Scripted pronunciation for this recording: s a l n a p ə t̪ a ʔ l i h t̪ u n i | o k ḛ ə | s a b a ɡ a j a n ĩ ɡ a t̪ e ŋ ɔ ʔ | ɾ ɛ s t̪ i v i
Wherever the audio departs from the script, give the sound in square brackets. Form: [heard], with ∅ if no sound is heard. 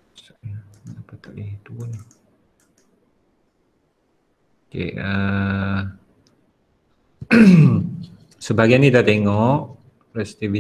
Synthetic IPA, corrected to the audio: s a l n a p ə t̪ a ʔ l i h t̪ u n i | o k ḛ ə | s [ə] b a ɡ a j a n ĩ [d] a t̪ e ŋ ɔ ʔ | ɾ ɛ s t̪ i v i